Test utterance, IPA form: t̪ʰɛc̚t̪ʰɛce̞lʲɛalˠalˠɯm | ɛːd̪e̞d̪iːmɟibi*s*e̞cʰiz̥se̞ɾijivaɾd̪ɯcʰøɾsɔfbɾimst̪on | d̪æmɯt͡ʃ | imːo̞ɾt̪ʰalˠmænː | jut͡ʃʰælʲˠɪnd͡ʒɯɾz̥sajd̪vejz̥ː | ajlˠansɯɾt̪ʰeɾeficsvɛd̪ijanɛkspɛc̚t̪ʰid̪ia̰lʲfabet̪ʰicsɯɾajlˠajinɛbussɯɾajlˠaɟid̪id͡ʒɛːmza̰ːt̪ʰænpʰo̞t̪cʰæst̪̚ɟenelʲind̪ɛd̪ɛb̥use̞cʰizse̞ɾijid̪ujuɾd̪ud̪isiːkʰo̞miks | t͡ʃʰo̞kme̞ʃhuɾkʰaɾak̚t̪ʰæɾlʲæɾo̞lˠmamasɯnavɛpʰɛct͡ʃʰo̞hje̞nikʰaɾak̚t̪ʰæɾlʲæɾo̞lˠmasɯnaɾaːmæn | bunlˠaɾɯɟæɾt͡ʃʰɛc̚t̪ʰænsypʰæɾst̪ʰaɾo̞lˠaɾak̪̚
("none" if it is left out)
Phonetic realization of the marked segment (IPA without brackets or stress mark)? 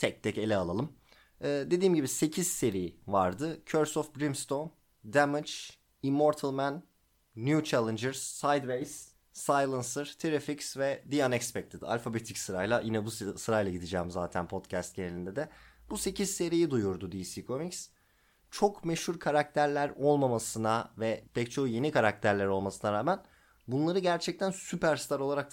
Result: s